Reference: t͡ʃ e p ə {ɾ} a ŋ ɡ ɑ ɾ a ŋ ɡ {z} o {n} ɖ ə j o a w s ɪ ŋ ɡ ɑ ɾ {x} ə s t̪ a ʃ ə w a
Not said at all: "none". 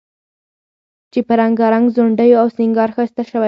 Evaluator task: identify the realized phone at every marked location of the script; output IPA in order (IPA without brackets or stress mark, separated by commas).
ɾ, z, ɳ, x